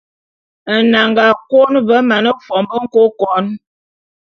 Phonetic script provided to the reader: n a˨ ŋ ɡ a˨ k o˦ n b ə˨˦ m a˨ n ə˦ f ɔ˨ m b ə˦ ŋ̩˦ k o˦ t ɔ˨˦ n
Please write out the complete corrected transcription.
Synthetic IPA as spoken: n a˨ ŋ ɡ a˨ k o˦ n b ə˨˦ m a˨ n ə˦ f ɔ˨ m b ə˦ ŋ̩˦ k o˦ k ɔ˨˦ n

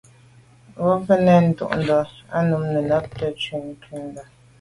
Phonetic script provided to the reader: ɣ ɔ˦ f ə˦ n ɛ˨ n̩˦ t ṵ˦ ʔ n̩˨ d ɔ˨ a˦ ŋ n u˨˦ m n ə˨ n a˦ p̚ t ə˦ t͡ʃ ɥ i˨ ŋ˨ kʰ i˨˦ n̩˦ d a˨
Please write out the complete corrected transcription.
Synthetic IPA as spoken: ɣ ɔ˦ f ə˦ n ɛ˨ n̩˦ t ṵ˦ ʔ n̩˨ d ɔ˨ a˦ n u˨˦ m n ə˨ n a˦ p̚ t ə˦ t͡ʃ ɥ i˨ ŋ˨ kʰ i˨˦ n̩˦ d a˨

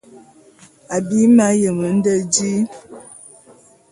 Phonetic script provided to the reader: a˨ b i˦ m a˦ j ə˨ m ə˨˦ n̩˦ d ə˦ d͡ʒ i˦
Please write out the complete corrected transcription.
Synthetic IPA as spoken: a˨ b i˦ m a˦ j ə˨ m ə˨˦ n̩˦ d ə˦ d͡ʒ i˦

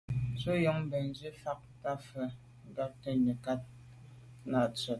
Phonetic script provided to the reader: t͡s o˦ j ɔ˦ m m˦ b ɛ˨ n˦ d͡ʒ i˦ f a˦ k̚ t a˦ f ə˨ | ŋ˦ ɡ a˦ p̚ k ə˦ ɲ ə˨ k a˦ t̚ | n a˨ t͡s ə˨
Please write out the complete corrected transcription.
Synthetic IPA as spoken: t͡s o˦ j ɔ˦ ŋ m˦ b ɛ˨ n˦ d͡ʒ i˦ f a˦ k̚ t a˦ f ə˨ | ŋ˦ ɡ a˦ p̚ t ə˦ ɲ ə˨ k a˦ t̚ | n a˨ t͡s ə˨

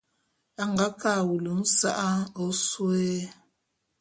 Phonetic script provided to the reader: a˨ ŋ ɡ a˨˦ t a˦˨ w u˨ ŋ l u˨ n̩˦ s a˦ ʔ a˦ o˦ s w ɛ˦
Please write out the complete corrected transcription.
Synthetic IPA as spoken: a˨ ŋ ɡ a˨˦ k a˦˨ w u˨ l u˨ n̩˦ s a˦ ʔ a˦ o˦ s w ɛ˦

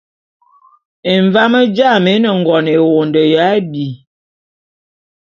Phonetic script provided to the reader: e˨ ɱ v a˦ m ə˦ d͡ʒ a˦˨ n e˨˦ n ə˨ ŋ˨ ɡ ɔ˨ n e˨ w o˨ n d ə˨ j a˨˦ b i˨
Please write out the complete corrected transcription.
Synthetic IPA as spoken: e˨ ɱ v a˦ m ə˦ d͡ʒ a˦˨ m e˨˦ n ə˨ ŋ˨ ɡ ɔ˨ n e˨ w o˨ n d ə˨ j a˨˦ b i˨

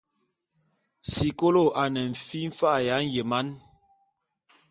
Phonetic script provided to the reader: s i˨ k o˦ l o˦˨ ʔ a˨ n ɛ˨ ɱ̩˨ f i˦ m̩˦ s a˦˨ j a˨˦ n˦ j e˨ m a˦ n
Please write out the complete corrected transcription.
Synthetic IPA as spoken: s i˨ k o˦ l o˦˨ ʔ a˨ n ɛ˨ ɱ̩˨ f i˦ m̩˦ f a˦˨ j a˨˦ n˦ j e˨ m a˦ n

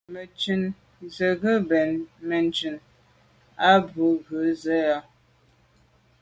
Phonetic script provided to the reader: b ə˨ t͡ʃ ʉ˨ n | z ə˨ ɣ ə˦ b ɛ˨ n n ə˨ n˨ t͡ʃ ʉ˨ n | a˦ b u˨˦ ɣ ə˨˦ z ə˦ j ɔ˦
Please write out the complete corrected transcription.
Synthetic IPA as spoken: m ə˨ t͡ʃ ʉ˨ n | z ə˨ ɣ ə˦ b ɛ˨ n m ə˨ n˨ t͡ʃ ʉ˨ n | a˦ b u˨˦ ɣ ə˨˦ z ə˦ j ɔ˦

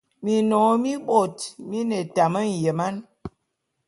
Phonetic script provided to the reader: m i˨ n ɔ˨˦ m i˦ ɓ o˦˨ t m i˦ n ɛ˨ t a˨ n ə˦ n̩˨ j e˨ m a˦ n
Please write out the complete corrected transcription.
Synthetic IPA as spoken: m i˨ n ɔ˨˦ m i˦ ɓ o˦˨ t m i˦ n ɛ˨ t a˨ m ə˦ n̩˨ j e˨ m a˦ n

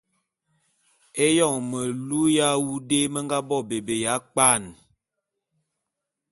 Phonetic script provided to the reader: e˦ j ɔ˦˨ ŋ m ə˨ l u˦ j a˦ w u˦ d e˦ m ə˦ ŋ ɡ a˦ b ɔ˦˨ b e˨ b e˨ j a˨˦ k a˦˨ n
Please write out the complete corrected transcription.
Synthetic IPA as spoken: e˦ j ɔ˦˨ ŋ m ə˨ l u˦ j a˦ w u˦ d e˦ m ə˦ ŋ ɡ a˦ b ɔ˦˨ b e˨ b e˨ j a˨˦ k͡p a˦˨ n

